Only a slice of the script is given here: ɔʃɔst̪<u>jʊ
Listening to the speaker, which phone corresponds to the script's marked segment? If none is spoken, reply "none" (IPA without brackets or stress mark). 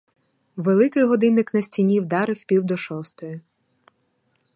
ɔ